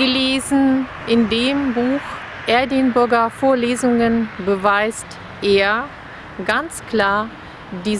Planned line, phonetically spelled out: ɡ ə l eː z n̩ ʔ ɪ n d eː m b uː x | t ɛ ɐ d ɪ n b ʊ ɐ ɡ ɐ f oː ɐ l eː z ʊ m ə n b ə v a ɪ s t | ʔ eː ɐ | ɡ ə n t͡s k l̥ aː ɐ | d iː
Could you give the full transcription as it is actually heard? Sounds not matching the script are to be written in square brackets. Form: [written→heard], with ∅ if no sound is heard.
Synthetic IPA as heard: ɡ ə l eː z n̩ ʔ ɪ n d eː m b uː x | [t→ʔ] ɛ ɐ d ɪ n b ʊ ɐ ɡ ɐ f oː ɐ l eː z ʊ [m→ŋ] ə n b ə v a ɪ s t | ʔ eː ɐ | ɡ [ə→a] n t͡s k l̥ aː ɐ | d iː